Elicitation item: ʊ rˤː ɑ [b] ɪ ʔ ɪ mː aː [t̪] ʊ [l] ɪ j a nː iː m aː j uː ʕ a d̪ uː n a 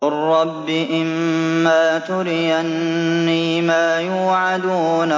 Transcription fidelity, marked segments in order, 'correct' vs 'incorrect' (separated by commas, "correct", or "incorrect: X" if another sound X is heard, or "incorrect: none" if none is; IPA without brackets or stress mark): incorrect: bː, correct, incorrect: ɾ